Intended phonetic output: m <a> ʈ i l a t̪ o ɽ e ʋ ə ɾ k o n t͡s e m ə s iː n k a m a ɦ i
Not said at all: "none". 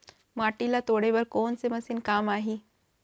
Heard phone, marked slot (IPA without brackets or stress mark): a